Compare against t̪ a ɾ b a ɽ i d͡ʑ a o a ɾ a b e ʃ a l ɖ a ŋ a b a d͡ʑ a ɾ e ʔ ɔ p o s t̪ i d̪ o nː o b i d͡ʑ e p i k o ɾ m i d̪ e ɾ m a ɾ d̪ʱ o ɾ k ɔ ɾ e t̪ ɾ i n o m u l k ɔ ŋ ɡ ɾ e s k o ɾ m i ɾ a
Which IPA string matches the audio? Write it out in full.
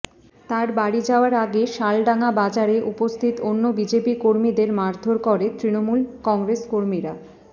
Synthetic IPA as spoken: t̪ a ɾ b a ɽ i d͡ʑ a o a ɾ a ɡ e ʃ a l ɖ a ŋ a b a d͡ʑ a ɾ e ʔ u p o s t̪ʰ i t̪ o nː o b i d͡ʑ e p i k o ɾ m i d̪ e ɾ m a ɾ d̪ʱ o ɾ k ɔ ɾ e t̪ ɾ i n o m u l k ɔ ŋ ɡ ɾ e s k o ɾ m i ɾ a